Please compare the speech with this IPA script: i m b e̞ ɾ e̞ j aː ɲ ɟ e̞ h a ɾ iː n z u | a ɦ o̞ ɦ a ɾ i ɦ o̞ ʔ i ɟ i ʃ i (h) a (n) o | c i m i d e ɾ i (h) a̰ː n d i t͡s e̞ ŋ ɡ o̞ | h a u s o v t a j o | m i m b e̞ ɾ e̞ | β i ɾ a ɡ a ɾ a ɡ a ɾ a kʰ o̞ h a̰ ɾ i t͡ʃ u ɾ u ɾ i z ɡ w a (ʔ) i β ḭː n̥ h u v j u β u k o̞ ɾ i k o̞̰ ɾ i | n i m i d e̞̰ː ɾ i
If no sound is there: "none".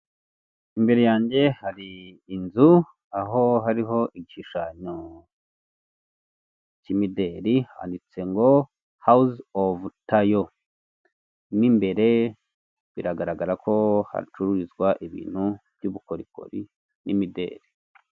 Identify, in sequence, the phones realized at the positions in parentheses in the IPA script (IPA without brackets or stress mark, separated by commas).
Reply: ʃ, ɲ, h, ʔ